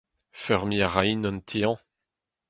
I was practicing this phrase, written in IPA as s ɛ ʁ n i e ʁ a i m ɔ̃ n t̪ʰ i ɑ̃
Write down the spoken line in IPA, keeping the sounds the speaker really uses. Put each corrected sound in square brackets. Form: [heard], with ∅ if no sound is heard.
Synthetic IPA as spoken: [f] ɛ ʁ [m] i [a] ʁ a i [n] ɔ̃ n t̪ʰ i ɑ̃